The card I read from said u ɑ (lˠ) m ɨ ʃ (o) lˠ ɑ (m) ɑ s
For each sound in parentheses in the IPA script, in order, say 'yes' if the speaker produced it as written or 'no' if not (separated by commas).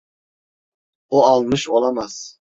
yes, yes, yes